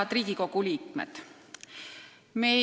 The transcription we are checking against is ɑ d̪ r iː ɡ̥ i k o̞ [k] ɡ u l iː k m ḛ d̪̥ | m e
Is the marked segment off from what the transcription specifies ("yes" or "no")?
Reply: yes